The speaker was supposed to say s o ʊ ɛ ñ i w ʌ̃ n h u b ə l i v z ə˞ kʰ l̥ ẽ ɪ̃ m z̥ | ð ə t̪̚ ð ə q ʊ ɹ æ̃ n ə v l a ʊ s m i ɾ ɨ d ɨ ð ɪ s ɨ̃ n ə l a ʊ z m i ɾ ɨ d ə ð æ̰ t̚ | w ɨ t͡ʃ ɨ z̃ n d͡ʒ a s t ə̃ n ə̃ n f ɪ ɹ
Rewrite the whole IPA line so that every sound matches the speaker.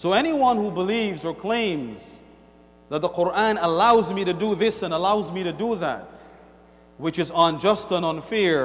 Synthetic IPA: s o ʊ ɛ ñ i w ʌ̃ n h u b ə l i v z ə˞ kʰ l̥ ẽ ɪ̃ m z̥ | ð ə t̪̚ ð ə q ʊ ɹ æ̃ n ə l a ʊ z m i ɾ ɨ d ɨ ð ɪ s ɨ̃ n ə l a ʊ z m i ɾ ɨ d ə ð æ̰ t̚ | w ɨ t͡ʃ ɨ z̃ n d͡ʒ ʌ s t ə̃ n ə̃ n f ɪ ɹ